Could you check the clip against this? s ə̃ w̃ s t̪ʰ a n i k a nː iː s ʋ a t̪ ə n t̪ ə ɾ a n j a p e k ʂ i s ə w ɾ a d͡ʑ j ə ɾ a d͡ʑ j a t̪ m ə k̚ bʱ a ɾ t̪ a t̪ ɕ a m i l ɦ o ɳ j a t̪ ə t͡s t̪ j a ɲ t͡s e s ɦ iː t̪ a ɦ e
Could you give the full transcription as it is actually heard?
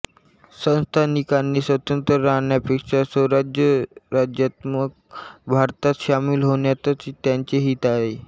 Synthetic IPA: s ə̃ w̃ s t̪ʰ a n i k a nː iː s ʋ ə t̪ ə n t̪ ə ɾ a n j a p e k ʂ a s ə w ɾ a d͡ʑ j ə ɾ a d͡ʑ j a t̪ m ə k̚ bʱ a ɾ t̪ a t̪ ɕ a m i l ɦ o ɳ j a t̪ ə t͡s t̪ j a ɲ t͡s e ɦ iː t̪ a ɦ e